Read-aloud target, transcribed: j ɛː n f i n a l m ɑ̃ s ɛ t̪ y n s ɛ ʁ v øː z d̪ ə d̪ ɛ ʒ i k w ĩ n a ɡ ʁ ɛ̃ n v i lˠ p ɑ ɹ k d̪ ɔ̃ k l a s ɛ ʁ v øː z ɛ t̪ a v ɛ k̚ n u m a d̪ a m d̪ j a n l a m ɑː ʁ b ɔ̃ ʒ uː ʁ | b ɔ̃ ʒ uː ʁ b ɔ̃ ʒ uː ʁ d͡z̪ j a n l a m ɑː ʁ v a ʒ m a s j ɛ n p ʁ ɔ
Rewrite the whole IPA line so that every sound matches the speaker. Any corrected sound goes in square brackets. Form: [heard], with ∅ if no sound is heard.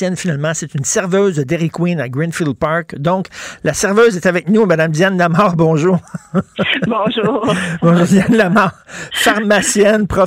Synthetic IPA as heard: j [ɛ] n f i n a l m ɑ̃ s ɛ t̪ y n s ɛ ʁ v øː z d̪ ə d̪ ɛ [ʁ] i k w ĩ n a ɡ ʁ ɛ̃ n [f] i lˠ p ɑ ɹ k d̪ ɔ̃ k l a s ɛ ʁ v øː z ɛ t̪ a v ɛ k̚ n u m a d̪ a m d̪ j a n l a m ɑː ʁ b ɔ̃ ʒ uː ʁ | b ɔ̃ ʒ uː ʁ b ɔ̃ ʒ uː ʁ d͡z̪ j a n l a m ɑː ʁ [f] a [ʁ] m a s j ɛ n p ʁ ɔ